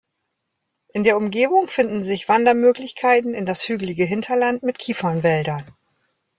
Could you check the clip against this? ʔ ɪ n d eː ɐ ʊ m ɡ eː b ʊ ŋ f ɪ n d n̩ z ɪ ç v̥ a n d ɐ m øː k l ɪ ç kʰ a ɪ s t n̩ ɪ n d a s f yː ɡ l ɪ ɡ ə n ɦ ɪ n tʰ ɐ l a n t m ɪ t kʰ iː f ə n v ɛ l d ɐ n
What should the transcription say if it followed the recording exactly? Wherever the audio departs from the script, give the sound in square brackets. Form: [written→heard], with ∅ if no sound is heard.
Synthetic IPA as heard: ʔ ɪ n d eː ɐ ʊ m ɡ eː b ʊ ŋ f ɪ n d n̩ z ɪ ç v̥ a n d ɐ m øː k l ɪ ç kʰ a ɪ [s→∅] t n̩ ɪ n d a s [f→h] yː ɡ l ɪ ɡ ə [n→∅] ɦ ɪ n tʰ ɐ l a n t m ɪ t kʰ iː f [ə→ɐ] n v ɛ l d ɐ n

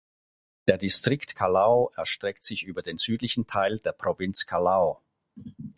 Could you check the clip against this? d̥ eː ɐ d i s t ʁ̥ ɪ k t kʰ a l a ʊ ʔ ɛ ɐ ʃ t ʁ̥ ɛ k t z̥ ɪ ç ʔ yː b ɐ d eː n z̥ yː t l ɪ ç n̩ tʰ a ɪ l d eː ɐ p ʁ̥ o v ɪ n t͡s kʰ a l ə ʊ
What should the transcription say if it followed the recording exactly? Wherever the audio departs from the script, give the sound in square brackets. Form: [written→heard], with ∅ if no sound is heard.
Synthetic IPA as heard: d̥ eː ɐ d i s t ʁ̥ ɪ k t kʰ a l a ʊ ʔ ɛ ɐ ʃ t ʁ̥ ɛ k t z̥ ɪ ç ʔ yː b ɐ d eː n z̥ yː t l ɪ ç n̩ tʰ a ɪ l d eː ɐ p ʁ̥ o v ɪ n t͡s kʰ a l [ə→a] ʊ

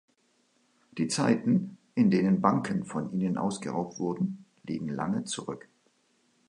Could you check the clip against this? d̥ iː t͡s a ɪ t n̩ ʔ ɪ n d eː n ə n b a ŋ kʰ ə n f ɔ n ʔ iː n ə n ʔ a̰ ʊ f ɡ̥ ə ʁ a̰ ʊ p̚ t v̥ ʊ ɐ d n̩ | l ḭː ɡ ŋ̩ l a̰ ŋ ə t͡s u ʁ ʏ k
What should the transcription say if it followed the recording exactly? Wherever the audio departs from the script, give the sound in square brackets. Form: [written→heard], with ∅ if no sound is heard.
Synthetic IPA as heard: d̥ iː t͡s a ɪ t n̩ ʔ ɪ n d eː n ə n b a ŋ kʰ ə n f ɔ n ʔ iː n ə n ʔ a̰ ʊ [f→s] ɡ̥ ə ʁ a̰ ʊ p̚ t v̥ ʊ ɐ d n̩ | l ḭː ɡ ŋ̩ l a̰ ŋ ə t͡s u ʁ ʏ k

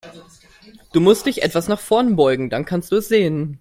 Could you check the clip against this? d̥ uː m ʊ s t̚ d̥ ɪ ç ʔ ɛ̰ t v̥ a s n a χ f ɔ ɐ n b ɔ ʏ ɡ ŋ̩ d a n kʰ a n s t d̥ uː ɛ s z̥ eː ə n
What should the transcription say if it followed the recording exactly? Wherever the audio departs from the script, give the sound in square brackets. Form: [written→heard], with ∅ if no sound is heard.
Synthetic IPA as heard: d̥ uː m ʊ s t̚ d̥ ɪ ç ʔ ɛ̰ t v̥ a s n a χ f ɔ ɐ n b ɔ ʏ ɡ ŋ̩ d a n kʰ a n s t d̥ uː ɛ s z̥ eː ə n

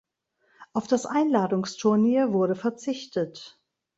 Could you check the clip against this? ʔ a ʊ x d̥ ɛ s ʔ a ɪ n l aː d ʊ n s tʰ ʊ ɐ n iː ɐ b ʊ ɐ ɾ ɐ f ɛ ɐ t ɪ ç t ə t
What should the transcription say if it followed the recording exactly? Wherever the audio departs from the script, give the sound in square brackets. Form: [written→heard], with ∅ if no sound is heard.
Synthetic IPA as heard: ʔ a ʊ [x→f] d̥ [ɛ→a] s ʔ a ɪ n l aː d ʊ [n→ŋ] s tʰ ʊ ɐ n iː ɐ [b→v] ʊ ɐ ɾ [ɐ→ə] f ɛ ɐ [t→t͡s] ɪ ç t ə t

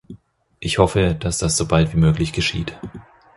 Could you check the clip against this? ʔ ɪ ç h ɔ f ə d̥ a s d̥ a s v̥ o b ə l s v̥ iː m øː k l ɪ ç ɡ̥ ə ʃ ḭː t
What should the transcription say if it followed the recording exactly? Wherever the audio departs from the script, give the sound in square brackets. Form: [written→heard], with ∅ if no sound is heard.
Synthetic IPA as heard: ʔ ɪ ç h ɔ f ə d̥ a s d̥ a s [v̥→z̥] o b [ə→a] l [s→t] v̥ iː m øː k l ɪ ç ɡ̥ ə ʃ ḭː t

